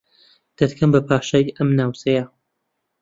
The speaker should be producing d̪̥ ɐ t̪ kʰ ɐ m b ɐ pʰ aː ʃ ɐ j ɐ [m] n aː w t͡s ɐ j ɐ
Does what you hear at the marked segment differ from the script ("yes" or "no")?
no